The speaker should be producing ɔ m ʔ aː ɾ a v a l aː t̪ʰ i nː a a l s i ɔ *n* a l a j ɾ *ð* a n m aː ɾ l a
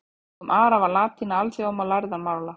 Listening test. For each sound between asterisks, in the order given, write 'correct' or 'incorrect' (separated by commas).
incorrect, correct